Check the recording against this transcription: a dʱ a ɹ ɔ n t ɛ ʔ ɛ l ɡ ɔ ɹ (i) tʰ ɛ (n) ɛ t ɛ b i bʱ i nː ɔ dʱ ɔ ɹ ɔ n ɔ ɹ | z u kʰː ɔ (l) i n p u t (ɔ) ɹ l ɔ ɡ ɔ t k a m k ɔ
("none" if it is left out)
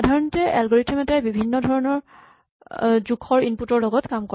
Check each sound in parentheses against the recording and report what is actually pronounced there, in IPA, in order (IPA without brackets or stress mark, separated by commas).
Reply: i, m, ɹ, ɔ